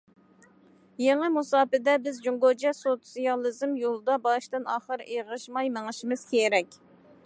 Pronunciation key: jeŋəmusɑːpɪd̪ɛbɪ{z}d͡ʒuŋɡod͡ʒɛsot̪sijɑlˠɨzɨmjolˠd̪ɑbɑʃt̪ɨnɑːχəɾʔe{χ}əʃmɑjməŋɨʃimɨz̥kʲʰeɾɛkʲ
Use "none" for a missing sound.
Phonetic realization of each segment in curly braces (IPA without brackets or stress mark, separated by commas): z, ʁ